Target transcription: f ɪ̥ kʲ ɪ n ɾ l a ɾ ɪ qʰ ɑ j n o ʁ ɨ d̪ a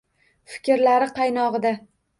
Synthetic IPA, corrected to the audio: f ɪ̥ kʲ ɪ ɾ l a ɾ ɪ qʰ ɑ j n ɒ ʁ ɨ d̪ a